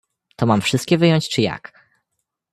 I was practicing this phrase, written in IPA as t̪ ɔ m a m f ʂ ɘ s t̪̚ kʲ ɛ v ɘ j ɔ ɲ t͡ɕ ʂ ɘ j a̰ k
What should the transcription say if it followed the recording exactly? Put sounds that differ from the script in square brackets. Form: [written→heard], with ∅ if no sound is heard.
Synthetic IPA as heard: t̪ ɔ m a m f ʂ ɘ s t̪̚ kʲ ɛ v ɘ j ɔ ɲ t͡ɕ [ʂ→t͡ʂ] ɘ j a̰ k